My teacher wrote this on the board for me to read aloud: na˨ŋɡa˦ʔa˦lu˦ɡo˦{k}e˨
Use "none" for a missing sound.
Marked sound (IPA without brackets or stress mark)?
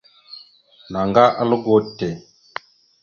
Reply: t